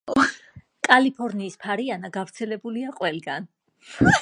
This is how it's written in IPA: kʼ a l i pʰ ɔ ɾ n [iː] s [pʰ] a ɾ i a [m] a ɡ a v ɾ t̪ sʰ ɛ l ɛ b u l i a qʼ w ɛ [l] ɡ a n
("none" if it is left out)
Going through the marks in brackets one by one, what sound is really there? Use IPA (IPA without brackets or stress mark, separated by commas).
iː, pʰ, n, l